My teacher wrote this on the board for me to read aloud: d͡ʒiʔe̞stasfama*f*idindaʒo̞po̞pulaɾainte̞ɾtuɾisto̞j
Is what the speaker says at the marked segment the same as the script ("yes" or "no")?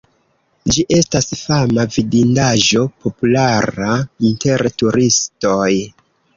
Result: no